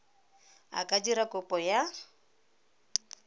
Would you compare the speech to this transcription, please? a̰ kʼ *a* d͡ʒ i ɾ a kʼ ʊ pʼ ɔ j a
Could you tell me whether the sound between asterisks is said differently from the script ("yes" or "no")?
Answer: no